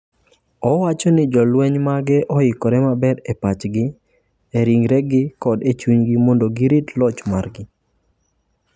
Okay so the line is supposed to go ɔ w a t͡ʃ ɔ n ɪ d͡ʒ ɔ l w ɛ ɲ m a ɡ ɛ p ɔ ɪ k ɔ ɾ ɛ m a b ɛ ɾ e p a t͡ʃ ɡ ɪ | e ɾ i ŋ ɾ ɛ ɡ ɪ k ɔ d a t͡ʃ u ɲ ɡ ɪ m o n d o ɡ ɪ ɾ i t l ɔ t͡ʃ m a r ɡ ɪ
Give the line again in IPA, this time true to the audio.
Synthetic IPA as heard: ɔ w a t͡ʃ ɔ n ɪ d͡ʒ ɔ l w ɛ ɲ m a ɡ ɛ ʔ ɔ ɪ k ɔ ɾ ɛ m a b ɛ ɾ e p a t͡ʃ ɡ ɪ | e ɾ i ŋ ɾ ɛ ɡ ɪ k ɔ d e t͡ʃ u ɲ ɡ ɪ m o n d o ɡ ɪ ɾ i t l ɔ t͡ʃ m a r ɡ ɪ